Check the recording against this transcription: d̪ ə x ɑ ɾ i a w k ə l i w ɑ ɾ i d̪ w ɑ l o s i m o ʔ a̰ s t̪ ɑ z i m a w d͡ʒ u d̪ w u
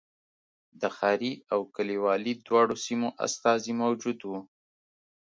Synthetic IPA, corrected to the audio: d̪ ə x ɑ ɾ i a w k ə l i w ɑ l i d̪ w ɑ ɽ o s i m o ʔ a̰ s t̪ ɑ z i m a w d͡ʒ u d̪ w u

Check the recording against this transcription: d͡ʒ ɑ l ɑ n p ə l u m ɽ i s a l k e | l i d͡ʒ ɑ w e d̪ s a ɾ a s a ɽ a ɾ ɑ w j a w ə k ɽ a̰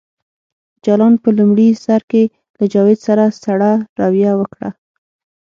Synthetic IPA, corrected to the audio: d͡ʒ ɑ l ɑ n p ə l u m ɽ i s a ɾ k e | l a d͡ʒ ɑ w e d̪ s a ɾ a s a ɽ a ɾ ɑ w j a w ə k ɽ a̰

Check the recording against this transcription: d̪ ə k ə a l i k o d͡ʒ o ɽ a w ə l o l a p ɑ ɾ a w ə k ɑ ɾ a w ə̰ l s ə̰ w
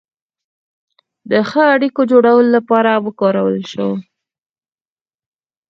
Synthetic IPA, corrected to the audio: d̪ ə x ə a ɽ i k o d͡ʒ o ɽ a w ə l o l a p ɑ ɾ a w ə k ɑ ɾ a w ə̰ l ʃ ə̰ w

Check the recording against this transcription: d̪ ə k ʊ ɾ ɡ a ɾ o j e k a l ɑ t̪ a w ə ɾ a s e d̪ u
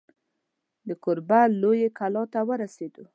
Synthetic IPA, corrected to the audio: d̪ ə k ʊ ɾ b a l o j e k a l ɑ t̪ a w ə ɾ a s e d̪ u

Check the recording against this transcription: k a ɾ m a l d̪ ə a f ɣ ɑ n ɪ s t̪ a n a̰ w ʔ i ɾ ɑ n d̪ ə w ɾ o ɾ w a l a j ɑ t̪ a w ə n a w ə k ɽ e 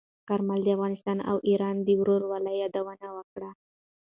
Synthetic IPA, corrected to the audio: k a ɾ m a l d̪ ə a f ɣ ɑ n ɪ s t̪ ɑ n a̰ w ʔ i ɾ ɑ n d̪ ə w ɾ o ɾ w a l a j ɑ d̪ a w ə n a w ə k ɽ a

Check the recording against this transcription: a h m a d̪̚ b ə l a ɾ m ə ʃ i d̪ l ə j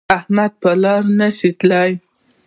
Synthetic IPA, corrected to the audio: a h m a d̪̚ p ə l ɑ ɾ n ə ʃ i t̪ l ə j

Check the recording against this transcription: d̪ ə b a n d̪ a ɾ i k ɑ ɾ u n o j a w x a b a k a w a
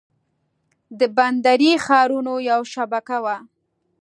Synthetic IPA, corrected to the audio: d̪ ə b a n d̪ a ɾ i x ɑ ɾ u n o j a w ʃ a b a k a w a

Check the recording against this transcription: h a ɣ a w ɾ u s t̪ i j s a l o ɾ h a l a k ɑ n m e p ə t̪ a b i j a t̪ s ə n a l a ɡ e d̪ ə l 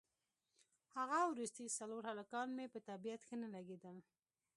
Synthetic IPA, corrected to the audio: h a ɣ a w ɾ u s t̪ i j s a l o ɾ h a l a k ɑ n m e p ə t̪ a b i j a t̪ x ə n a l a ɡ e d̪ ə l

